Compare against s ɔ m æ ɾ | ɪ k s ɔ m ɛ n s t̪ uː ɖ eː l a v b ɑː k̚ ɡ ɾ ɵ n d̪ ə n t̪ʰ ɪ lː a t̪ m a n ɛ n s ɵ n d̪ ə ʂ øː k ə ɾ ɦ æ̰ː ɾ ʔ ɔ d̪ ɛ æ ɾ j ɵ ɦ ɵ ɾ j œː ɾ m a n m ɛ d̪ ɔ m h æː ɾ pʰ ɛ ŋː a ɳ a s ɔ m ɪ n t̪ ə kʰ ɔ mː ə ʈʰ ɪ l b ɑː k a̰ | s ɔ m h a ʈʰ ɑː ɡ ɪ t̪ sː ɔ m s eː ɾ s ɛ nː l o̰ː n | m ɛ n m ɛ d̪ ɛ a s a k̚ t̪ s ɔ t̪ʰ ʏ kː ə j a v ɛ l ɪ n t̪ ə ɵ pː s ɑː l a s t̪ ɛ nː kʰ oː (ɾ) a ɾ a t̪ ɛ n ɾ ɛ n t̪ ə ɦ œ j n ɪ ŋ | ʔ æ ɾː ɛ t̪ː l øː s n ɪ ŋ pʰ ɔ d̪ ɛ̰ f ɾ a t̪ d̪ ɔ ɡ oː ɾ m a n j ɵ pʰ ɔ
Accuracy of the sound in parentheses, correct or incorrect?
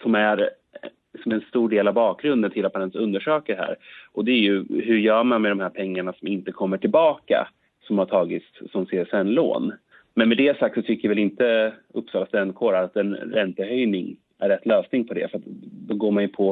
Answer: correct